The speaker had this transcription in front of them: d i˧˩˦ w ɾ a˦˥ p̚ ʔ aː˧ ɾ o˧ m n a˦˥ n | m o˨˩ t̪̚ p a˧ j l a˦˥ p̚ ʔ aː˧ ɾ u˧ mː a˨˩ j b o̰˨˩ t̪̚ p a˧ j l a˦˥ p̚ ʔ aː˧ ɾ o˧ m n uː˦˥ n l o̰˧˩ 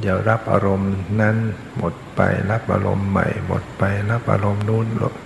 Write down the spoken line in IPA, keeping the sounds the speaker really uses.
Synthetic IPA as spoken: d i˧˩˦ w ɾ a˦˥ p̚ ʔ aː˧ ɾ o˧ m n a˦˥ n | m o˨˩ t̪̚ p a˧ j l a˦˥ p̚ ʔ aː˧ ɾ o˧ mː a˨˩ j m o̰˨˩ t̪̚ p a˧ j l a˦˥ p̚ ʔ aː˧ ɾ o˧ m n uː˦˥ n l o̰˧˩